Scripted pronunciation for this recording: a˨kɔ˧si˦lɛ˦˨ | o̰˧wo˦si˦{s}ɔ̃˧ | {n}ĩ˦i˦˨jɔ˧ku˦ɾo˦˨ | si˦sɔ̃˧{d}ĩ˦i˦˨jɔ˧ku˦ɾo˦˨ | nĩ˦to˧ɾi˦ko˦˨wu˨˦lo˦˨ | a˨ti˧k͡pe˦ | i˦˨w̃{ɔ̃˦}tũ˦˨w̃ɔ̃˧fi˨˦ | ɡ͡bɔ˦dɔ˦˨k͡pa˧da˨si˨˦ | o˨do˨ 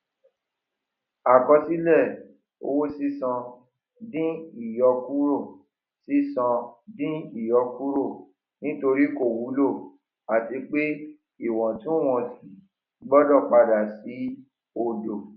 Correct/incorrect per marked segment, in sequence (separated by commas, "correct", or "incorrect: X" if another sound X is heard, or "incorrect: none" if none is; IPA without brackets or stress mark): correct, incorrect: d, correct, incorrect: ɔ̃˨